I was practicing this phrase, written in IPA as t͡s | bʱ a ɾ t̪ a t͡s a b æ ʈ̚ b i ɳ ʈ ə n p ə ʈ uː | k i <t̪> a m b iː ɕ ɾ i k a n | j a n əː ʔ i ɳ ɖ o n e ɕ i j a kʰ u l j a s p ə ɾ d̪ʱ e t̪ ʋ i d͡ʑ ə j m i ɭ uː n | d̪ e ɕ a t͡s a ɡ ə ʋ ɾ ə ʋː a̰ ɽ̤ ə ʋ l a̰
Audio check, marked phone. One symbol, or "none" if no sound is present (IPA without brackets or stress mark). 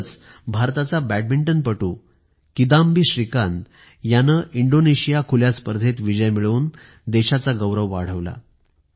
d̪